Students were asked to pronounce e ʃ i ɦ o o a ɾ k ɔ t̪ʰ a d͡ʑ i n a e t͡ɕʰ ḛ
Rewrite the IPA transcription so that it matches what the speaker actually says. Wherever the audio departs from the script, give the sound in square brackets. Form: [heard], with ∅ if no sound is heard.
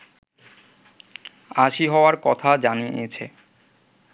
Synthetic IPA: [a] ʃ i ɦ [ɔ] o a ɾ k ɔ t̪ʰ a d͡ʑ [a] n [i] e t͡ɕʰ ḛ